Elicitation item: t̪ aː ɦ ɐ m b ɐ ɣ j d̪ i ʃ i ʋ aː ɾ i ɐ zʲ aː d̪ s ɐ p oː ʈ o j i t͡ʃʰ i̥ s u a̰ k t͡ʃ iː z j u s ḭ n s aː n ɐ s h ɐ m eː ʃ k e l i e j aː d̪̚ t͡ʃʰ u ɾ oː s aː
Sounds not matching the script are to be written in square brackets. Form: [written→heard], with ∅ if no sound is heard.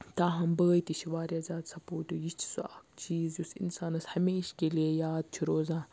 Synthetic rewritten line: t̪ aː ɦ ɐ m b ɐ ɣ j [d̪→t̪] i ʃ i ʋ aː ɾ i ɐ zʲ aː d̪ s ɐ p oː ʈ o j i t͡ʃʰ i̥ s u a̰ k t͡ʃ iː z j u s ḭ n s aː n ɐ s h ɐ m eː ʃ k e l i e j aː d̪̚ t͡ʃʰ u ɾ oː [s→z] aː